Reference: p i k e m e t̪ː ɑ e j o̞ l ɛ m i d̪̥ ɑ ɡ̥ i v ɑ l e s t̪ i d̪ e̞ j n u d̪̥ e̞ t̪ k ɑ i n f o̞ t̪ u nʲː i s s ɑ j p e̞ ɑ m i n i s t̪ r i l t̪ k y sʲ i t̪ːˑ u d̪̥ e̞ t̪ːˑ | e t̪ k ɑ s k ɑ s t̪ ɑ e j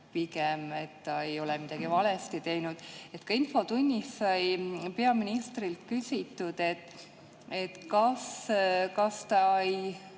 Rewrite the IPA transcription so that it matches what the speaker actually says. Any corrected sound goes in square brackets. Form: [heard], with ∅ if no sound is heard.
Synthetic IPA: p i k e m e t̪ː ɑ e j o̞ l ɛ m i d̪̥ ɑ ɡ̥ i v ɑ l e s t̪ i [t̪] e̞ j n u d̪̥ e̞ t̪ k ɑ i n f o̞ t̪ u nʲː i s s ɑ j p e̞ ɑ m i n i s t̪ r i l t̪ k y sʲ i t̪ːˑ u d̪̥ e̞ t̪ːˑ | e t̪ k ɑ s k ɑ s t̪ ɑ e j